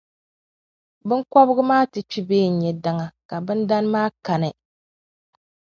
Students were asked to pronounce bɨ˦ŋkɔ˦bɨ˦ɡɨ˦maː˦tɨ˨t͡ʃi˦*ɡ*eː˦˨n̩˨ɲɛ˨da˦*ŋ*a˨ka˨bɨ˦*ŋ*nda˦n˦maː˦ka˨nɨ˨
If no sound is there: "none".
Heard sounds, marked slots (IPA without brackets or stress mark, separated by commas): b, ŋ, none